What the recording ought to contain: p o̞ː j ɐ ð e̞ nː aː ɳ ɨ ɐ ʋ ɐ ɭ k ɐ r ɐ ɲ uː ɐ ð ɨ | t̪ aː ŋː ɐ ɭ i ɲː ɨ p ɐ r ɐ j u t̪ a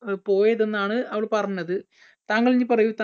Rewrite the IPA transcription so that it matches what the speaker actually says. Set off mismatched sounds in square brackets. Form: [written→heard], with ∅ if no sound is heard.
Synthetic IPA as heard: p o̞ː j ɐ ð e̞ nː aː ɳ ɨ ɐ ʋ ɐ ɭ [k→p] ɐ r ɐ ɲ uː ɐ ð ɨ | t̪ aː ŋː ɐ ɭ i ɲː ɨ p ɐ r ɐ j u t̪ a